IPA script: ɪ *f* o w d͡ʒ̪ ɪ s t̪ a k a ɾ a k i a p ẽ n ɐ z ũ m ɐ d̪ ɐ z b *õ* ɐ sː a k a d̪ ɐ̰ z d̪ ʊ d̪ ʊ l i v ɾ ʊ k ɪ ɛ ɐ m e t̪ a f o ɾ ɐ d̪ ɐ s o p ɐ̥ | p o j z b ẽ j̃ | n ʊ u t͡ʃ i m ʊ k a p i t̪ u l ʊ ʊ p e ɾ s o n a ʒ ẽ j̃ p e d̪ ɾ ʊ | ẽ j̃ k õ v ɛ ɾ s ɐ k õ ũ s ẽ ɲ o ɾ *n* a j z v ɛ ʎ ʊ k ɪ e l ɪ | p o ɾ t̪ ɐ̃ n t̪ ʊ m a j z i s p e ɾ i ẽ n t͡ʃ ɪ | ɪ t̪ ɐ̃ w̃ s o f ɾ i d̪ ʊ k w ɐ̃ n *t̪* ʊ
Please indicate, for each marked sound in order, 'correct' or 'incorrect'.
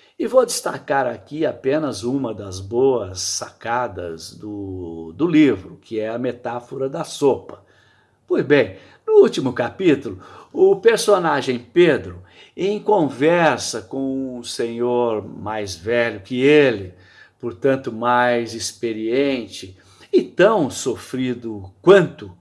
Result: incorrect: v, incorrect: o, incorrect: m, correct

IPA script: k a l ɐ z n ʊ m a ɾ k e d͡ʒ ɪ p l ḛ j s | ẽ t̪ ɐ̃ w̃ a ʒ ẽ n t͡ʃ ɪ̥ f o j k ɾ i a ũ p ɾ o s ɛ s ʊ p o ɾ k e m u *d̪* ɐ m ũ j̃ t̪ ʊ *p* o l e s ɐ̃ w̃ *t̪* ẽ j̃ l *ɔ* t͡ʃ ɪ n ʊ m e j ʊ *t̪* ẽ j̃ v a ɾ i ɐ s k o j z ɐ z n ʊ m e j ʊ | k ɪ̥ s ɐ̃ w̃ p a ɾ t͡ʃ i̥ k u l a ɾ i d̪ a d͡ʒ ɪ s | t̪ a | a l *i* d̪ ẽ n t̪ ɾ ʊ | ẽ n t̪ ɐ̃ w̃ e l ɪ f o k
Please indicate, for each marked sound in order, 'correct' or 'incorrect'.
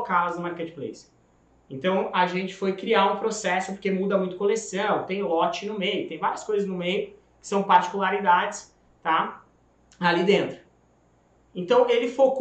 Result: correct, incorrect: k, correct, correct, correct, correct

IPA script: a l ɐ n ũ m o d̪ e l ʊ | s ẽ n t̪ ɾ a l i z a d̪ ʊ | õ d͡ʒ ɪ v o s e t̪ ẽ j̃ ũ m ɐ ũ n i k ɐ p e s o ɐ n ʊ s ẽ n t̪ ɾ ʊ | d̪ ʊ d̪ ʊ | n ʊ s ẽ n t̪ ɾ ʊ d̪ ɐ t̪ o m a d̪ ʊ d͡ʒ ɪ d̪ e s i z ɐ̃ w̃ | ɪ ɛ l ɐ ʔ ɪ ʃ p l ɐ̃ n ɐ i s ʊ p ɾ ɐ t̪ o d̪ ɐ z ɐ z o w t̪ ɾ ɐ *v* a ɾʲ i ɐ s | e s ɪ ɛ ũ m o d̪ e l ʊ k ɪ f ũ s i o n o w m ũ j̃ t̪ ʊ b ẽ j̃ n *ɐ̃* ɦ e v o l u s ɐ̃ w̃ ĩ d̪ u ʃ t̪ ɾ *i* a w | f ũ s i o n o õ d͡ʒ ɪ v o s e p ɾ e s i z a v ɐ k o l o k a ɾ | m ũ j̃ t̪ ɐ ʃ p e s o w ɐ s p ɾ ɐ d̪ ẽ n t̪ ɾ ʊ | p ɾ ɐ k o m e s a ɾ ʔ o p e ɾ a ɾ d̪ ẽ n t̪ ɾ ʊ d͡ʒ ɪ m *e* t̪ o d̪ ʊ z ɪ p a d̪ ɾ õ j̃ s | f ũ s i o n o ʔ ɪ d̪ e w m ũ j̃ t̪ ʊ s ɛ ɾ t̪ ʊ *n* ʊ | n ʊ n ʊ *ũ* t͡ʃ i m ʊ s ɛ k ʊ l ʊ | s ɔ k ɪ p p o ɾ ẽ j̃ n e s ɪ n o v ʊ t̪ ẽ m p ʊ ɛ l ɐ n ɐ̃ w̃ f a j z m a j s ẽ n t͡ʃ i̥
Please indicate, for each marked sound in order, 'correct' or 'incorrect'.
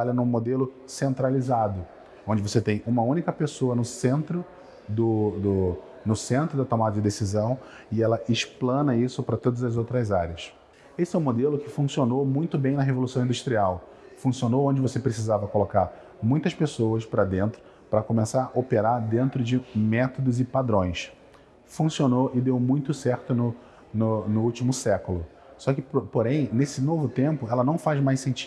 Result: incorrect: z, incorrect: ɐ, correct, incorrect: ɛ, correct, incorrect: u

